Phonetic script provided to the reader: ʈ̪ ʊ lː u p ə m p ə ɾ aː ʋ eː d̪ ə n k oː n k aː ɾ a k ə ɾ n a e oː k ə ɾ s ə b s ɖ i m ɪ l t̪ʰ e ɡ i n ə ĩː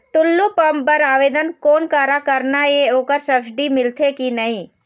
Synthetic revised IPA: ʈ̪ ʊ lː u p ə m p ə ɾ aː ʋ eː d̪ ə n k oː n k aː ɾ a k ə ɾ n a e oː k ə ɾ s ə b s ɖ i m ɪ l t̪ʰ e k i n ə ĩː